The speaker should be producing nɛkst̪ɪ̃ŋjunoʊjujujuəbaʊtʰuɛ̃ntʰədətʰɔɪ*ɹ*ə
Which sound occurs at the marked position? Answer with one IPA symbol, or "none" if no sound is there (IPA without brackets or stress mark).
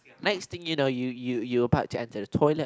l